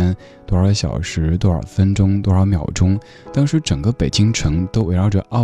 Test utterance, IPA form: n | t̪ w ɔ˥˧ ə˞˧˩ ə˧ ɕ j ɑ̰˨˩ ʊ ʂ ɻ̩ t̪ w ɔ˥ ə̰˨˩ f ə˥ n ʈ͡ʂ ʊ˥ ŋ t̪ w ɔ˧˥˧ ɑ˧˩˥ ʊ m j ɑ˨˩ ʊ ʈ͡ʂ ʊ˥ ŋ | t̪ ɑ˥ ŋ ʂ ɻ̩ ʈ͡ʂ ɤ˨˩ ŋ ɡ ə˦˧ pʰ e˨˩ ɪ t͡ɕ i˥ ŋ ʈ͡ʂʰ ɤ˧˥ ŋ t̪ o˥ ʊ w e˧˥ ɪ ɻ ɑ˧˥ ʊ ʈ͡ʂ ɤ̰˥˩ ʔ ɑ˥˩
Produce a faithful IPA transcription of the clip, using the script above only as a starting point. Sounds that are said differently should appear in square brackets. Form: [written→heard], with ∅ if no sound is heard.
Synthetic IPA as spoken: n | t̪ w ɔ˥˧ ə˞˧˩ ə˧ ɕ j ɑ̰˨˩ ʊ ʂ ɻ̩ t̪ w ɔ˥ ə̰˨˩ f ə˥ n ʈ͡ʂ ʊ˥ ŋ t̪ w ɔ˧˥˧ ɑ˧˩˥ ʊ m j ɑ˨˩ ʊ ʈ͡ʂ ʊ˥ ŋ | t̪ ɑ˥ ŋ ʂ ɻ̩ ʈ͡ʂ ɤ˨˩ ŋ ɡ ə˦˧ [pʰ→p] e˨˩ ɪ t͡ɕ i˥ ŋ ʈ͡ʂʰ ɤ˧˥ ŋ t̪ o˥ ʊ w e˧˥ ɪ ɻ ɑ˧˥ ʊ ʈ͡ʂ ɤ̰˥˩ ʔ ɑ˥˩